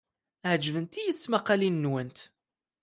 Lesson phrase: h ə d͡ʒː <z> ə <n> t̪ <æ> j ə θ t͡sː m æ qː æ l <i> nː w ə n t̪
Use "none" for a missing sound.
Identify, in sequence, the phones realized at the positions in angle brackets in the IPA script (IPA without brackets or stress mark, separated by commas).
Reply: v, n, i, i